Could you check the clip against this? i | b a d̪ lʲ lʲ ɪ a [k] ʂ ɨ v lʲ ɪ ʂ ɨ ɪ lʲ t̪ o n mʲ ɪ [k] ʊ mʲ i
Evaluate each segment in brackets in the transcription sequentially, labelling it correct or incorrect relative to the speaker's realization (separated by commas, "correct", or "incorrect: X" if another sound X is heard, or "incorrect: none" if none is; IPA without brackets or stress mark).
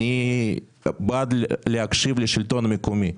correct, correct